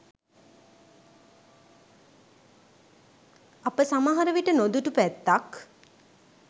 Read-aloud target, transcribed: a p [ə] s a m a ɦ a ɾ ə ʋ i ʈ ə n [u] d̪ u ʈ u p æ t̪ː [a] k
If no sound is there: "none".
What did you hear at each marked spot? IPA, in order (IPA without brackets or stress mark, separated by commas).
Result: ə, o, a